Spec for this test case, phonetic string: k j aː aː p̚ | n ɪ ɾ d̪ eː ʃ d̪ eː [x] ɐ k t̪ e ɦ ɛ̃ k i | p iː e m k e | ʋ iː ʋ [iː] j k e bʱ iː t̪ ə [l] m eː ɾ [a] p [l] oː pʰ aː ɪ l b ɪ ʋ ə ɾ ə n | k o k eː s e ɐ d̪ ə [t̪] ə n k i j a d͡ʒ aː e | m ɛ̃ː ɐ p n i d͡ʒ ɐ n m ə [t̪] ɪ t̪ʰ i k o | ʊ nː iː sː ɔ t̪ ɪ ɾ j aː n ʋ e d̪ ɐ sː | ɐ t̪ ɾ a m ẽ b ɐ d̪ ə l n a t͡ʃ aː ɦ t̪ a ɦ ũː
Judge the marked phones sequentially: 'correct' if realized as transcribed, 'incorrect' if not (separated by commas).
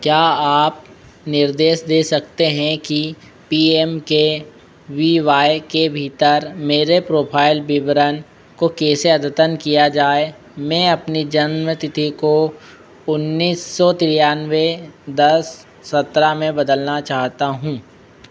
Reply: incorrect, incorrect, incorrect, incorrect, incorrect, correct, correct